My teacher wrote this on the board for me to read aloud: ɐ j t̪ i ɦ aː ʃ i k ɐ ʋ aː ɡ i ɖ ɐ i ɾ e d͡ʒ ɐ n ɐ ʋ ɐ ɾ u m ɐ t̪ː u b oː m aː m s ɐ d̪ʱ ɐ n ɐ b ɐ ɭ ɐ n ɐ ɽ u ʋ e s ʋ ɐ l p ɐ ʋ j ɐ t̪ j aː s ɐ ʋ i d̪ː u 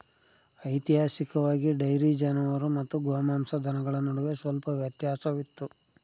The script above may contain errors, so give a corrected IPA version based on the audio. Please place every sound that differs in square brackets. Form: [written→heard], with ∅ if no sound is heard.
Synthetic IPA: ɐ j t̪ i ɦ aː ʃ i k ɐ ʋ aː ɡ i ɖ ɐ [i→j] ɾ [e→i] d͡ʒ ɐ n ɐ ʋ ɐ ɾ u m ɐ t̪ː u [b→ɡ] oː m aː m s ɐ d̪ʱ ɐ n ɐ [b→ɡ] ɐ ɭ ɐ n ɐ ɽ u ʋ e s ʋ ɐ l p ɐ ʋ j ɐ t̪ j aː s ɐ ʋ i [d̪ː→t̪ː] u